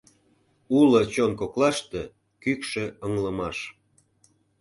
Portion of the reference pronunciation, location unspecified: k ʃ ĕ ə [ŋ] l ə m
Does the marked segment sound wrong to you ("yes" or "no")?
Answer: no